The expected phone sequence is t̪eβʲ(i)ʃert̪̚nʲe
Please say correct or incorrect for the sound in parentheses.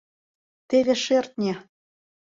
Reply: incorrect